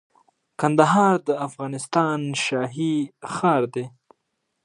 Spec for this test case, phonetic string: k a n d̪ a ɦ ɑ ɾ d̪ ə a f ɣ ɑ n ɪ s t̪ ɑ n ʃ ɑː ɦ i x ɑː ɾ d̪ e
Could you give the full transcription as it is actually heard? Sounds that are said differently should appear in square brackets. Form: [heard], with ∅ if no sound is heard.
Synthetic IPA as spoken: k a n d̪ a ɦ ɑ ɾ d̪ ə a f ɣ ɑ n ɪ s t̪ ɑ n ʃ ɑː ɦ i x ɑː ɾ d̪ e

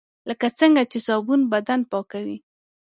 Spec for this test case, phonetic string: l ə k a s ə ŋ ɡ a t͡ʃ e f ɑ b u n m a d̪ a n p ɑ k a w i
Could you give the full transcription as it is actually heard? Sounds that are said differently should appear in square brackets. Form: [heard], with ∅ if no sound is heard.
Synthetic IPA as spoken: l ə k a [t͡s] ə ŋ ɡ a t͡ʃ e [s] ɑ b u n [b] a d̪ a n p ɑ k a w i

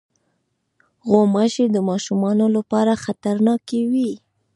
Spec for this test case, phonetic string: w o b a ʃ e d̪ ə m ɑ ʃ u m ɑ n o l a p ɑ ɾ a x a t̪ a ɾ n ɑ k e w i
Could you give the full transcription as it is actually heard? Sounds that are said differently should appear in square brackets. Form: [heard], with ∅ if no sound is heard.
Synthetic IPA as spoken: [ɣ] o [m] a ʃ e d̪ ə m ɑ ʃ u m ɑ n o l a p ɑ ɾ a x a t̪ a ɾ n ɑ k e w i

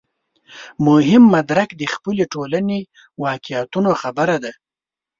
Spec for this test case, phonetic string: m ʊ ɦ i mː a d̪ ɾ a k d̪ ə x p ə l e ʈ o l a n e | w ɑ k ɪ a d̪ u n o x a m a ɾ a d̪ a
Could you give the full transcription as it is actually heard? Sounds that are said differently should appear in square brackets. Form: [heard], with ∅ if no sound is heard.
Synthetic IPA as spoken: m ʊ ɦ [ɪ] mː a d̪ ɾ a k d̪ ə x p ə l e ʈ o l a n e | w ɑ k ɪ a [t̪] u n o x a [b] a ɾ a d̪ a

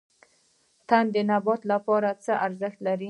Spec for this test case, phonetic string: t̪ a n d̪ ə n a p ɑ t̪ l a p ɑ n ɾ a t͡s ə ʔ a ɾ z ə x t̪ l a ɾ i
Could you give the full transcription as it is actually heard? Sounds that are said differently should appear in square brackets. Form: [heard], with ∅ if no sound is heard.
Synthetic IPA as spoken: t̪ a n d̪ ə n a [b] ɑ t̪ l a p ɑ [∅] ɾ a t͡s ə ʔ a ɾ z ə x t̪ l a ɾ i

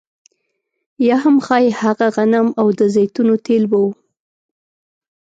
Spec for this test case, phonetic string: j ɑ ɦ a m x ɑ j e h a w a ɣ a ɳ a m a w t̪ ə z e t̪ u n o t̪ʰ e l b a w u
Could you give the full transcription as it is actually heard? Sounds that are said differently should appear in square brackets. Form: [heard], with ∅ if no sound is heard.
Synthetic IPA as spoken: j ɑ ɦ a m x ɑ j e h a [ɣ] a ɣ a [n] a m a w [d̪] ə z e t̪ u n o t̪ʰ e l b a w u

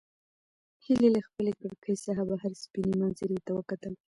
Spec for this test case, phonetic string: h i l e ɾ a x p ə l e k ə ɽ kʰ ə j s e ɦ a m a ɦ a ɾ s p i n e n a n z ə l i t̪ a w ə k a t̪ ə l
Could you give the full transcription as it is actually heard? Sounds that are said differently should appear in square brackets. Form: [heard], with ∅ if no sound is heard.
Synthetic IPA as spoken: h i l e [l] a x p ə l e k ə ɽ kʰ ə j s [a] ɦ a [b] a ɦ a ɾ s p i n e [m] a n z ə [ɾ] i t̪ a w ə k a t̪ ə l

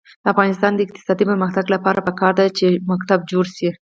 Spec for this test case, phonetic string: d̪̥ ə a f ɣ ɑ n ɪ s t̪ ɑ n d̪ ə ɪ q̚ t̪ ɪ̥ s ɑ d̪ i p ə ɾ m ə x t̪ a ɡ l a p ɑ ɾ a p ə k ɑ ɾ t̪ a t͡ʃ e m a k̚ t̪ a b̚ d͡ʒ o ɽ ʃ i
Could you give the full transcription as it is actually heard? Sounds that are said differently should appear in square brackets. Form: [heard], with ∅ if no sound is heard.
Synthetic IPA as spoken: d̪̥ ə a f ɣ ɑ n ɪ s t̪ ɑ n d̪ ə ɪ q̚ t̪ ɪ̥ s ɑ d̪ i p ə ɾ m ə x t̪ a ɡ l a p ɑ ɾ a p ə k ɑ ɾ [d̪] a t͡ʃ e m a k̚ t̪ a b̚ d͡ʒ o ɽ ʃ i

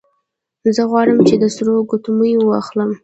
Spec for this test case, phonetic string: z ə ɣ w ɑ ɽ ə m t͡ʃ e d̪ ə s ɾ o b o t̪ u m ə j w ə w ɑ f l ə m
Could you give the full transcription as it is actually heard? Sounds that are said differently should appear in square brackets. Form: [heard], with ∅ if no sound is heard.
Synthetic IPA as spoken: z ə ɣ w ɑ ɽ ə m t͡ʃ e d̪ ə s ɾ o [ɡ] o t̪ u m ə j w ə w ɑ [x] l ə m

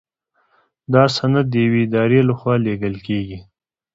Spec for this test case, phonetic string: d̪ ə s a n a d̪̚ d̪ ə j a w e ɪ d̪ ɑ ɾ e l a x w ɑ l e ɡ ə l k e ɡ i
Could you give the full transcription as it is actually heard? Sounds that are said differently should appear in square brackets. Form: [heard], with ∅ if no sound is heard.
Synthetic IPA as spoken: d̪ [ɑ] s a n a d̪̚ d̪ ə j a w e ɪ d̪ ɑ ɾ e l a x w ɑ l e ɡ ə l k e ɡ i

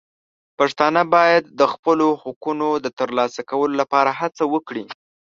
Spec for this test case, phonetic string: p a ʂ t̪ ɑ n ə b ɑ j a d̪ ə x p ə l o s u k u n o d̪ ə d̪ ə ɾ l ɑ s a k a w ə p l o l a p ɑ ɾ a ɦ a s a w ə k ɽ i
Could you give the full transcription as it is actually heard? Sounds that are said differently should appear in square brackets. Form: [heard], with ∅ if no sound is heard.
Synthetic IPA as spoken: p a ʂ t̪ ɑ n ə b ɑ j a [d̪ː] ə x p ə l o [h] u k u n o d̪ ə [t̪] ə ɾ l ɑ s a k a w ə [∅] l o l a p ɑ ɾ a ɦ a [t͡s] a w ə k ɽ i

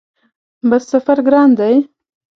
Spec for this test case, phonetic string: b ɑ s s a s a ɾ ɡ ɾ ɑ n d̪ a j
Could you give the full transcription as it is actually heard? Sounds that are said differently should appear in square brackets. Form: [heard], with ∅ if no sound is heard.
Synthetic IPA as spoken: b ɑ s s a [f] a ɾ ɡ ɾ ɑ n d̪ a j

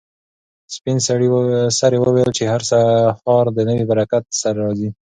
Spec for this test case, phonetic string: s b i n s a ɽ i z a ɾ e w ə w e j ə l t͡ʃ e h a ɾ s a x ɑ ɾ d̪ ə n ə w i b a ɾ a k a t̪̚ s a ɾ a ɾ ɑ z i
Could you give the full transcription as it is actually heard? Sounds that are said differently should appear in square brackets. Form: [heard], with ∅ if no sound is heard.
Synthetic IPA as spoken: s [p] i n s a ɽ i [s] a ɾ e w ə w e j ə l t͡ʃ e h a ɾ s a x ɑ ɾ d̪ ə n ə w i b a ɾ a k a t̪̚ s a ɾ a ɾ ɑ z i

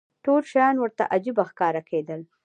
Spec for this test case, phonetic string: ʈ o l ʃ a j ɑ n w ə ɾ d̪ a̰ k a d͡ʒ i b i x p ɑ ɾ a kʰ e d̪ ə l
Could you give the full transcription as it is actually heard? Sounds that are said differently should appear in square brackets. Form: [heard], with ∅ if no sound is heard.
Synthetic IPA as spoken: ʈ o l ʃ a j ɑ n w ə ɾ [t̪] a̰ [ʔ] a d͡ʒ i b [a] x [k] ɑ ɾ a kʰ e d̪ ə l

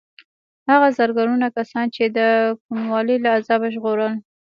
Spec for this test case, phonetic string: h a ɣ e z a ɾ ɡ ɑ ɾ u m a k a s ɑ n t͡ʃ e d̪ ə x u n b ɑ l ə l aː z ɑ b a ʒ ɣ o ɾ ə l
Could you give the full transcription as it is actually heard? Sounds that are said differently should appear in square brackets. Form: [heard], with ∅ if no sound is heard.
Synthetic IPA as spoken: h a ɣ [a] z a ɾ ɡ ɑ ɾ u [n] a k a s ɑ n t͡ʃ e d̪ ə [k] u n [w] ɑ l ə l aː z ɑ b a ʒ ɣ o ɾ ə l

